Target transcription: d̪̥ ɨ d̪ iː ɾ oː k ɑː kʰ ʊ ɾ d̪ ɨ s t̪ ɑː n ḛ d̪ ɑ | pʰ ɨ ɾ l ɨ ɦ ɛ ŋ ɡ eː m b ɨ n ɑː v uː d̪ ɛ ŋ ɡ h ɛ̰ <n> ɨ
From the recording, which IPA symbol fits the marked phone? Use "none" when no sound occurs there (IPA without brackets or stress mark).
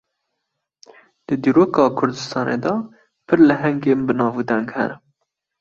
n